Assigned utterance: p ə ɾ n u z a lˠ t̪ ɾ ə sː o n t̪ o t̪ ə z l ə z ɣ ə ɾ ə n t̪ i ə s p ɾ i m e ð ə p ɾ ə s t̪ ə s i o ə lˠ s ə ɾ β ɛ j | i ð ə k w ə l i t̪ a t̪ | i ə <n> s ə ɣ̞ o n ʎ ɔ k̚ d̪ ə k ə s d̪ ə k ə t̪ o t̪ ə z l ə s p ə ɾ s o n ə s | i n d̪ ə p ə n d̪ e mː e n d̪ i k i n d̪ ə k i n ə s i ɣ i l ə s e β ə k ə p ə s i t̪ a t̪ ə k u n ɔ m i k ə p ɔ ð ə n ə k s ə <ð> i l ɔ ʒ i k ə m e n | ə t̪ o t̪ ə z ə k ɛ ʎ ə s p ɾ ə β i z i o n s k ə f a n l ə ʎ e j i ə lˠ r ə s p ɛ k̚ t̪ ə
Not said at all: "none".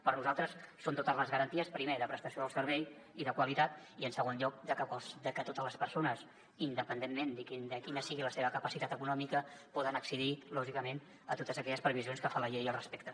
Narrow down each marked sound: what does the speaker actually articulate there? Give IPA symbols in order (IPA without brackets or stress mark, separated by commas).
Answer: n, ð